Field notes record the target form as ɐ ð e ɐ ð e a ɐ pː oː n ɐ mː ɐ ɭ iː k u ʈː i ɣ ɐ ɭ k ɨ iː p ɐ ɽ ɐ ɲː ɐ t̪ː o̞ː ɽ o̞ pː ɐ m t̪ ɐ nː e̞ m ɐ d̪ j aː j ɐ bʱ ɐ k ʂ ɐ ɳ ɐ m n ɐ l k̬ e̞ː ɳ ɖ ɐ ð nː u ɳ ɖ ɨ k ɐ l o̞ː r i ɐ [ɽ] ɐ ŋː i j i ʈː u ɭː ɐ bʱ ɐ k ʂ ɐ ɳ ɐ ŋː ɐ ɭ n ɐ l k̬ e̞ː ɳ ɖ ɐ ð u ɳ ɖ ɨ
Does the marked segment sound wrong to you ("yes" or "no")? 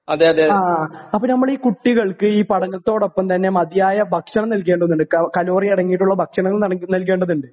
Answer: no